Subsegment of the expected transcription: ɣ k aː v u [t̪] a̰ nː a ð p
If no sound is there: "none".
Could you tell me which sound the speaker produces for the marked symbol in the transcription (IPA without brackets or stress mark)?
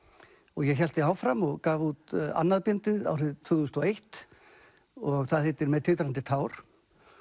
t̪